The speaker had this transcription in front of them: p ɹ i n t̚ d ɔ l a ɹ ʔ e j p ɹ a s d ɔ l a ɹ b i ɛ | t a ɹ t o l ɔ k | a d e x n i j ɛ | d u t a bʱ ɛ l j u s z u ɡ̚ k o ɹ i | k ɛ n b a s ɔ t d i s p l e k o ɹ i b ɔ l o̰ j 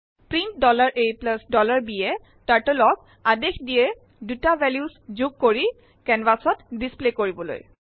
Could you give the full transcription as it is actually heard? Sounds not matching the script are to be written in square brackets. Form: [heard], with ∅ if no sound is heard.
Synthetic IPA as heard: p ɹ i n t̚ d ɔ l a ɹ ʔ e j p [l] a s d ɔ l a ɹ b i ɛ | t a ɹ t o l ɔ k | a d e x [d] i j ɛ | d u t a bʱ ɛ l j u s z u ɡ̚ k o ɹ i | k ɛ n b a s ɔ t d i s p l e k o ɹ i b ɔ l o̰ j